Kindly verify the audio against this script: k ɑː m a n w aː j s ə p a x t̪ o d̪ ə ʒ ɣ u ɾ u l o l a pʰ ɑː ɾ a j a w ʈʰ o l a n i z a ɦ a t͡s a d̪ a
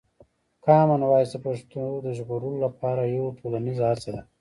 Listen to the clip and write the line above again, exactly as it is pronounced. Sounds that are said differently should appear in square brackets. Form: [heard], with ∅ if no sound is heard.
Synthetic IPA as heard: k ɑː m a n w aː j s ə p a [ʂ] t̪ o d̪ ə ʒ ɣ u ɾ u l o l a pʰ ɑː ɾ a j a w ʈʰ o l a n i z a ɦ a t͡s a d̪ a